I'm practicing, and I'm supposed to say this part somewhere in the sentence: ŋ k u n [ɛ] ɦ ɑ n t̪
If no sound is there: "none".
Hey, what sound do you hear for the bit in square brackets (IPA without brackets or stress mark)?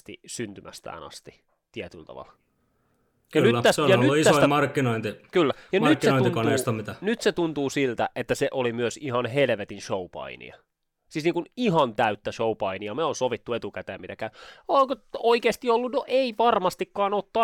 i